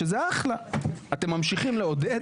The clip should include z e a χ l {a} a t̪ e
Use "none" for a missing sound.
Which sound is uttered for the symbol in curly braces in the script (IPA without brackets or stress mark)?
a